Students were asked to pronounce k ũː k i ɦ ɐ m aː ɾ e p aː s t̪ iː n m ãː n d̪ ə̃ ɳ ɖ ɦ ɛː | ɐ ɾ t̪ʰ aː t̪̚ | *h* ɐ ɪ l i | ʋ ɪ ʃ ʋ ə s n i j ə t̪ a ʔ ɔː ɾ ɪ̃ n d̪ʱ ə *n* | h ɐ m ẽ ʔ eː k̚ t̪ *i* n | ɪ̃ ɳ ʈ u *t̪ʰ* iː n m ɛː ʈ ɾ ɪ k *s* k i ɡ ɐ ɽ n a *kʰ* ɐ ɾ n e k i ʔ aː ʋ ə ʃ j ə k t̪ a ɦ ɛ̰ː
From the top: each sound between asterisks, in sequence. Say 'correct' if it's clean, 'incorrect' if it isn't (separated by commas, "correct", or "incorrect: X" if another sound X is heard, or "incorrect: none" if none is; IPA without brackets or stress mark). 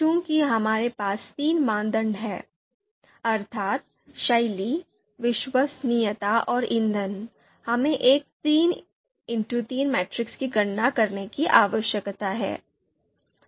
incorrect: ʃ, correct, incorrect: iː, incorrect: t̪, correct, incorrect: k